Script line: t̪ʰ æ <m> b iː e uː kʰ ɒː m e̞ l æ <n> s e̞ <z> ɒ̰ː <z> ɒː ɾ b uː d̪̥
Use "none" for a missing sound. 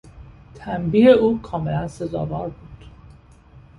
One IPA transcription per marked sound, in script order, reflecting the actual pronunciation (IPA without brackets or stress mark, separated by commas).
m, n, z, v